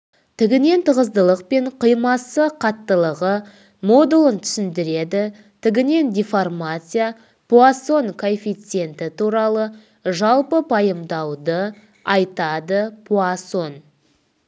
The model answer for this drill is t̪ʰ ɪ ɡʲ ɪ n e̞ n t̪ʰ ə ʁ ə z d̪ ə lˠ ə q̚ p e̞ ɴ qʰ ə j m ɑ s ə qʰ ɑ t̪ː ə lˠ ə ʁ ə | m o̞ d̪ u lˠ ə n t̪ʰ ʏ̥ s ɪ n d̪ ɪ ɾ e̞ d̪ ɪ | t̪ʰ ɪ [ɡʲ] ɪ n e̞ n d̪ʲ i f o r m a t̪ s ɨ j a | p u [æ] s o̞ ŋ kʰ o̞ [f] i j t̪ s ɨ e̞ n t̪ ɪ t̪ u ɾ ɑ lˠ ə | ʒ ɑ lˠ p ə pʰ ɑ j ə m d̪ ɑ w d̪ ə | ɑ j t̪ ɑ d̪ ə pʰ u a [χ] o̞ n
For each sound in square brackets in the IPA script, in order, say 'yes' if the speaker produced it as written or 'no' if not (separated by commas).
yes, no, yes, no